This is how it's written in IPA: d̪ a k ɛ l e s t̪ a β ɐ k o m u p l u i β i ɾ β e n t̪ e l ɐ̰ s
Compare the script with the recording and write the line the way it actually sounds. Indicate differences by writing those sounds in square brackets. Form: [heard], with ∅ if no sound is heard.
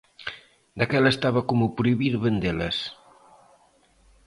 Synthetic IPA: d̪ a k ɛ l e s t̪ a β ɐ k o m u p [ɾ] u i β i ɾ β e n [d̪] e l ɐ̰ s